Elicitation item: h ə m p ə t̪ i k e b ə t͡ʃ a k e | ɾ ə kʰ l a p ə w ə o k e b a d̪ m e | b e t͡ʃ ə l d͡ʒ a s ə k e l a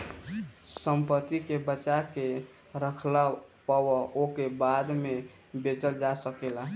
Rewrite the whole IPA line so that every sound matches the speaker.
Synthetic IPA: s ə m p ə t̪ i k e b ə t͡ʃ a k e | ɾ ə kʰ l a p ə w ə o k e b a d̪ m e | b e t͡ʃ ə l d͡ʒ a s ə k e l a